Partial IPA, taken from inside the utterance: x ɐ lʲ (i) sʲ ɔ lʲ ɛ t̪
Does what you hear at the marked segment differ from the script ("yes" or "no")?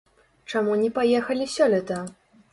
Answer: no